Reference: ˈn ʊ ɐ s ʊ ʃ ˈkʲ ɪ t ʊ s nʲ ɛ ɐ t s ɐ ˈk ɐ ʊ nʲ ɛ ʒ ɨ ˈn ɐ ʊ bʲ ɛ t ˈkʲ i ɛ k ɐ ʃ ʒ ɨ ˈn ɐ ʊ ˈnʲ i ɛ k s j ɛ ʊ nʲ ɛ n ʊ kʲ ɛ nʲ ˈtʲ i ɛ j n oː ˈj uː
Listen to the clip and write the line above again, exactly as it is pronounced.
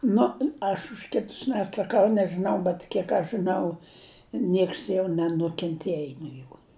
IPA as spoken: ˈn ʊ ɐ ʃ ʊ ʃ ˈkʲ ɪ t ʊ s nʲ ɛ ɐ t s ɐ ˈk ɐ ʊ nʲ ɛ ʒ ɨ ˈn ɐ ʊ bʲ ɛ t ˈkʲ i ɛ k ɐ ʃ ʒ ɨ ˈn ɐ ʊ ˈnʲ i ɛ k s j ɛ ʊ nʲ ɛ n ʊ kʲ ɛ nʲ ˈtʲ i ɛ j n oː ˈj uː